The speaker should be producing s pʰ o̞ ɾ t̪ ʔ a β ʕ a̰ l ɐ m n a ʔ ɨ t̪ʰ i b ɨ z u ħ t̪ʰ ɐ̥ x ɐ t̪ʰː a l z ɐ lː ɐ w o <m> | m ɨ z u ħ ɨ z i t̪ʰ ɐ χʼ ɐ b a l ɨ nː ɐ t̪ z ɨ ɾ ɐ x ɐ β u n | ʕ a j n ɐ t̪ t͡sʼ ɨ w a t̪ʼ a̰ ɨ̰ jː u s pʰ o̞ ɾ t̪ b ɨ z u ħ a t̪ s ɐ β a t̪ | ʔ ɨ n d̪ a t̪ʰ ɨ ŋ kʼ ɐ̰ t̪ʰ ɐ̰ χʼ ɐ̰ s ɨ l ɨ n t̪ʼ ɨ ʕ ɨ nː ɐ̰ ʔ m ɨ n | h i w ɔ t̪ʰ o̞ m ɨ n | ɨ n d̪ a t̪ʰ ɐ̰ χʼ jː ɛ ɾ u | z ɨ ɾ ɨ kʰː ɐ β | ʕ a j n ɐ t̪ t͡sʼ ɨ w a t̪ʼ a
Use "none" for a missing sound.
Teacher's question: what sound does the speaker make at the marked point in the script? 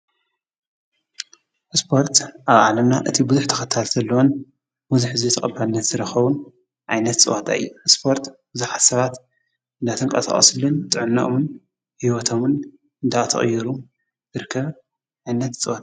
n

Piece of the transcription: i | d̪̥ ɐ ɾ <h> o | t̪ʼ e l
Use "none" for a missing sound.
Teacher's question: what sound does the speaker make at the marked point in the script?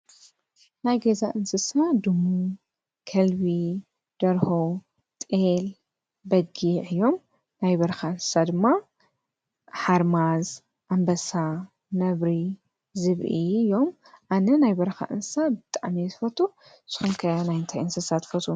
h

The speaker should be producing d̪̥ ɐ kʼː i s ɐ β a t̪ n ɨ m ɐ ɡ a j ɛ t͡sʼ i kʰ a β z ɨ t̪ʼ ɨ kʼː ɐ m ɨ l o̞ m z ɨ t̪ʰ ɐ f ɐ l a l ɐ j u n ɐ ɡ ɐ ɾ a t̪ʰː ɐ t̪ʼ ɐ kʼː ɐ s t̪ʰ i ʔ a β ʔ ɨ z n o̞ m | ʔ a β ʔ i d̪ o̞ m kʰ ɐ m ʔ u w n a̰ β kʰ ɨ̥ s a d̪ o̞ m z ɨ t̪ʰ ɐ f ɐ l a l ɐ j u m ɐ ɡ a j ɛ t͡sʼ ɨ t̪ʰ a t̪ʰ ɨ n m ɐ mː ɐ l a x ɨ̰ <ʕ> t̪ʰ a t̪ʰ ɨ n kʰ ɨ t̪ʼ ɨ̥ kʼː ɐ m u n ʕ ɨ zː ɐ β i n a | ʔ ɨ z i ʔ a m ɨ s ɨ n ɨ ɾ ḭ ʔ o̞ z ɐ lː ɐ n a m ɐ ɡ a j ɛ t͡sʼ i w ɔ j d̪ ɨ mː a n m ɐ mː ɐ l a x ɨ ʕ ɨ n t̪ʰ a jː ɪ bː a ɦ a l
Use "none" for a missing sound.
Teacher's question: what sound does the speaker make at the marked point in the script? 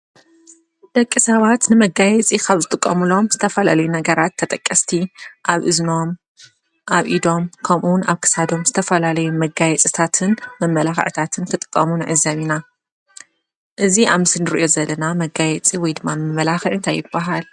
ʕ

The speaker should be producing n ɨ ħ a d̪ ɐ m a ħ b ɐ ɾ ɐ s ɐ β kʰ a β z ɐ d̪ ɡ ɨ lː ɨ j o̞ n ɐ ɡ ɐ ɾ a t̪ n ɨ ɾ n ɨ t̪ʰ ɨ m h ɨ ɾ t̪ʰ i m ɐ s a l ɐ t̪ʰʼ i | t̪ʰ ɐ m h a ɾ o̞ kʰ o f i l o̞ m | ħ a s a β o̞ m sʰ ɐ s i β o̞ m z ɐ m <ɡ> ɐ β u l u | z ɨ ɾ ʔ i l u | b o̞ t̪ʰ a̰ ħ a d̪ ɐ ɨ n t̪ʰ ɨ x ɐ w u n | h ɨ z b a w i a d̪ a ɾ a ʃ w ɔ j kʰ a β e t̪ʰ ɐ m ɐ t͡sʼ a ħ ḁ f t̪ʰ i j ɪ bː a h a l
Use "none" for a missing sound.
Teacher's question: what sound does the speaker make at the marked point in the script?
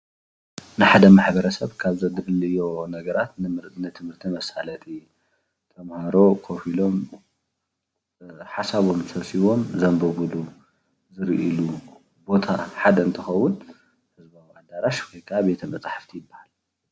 b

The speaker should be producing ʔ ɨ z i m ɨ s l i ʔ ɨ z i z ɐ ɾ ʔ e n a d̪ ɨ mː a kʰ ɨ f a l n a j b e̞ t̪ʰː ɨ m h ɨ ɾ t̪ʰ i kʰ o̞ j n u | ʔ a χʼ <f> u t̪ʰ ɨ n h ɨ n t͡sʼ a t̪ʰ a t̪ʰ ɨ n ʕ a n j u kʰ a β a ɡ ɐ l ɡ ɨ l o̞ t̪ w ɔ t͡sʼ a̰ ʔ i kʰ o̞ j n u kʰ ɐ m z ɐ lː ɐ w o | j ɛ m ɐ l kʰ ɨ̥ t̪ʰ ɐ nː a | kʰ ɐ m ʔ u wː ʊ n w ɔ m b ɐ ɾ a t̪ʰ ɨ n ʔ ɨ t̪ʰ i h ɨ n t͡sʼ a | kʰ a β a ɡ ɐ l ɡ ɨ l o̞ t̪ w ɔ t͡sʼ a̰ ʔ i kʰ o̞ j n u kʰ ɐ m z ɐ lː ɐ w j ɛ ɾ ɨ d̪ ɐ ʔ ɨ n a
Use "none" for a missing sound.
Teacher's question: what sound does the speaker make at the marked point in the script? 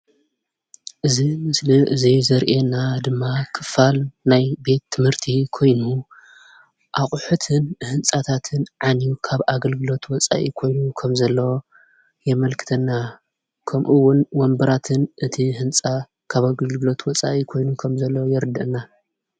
ħ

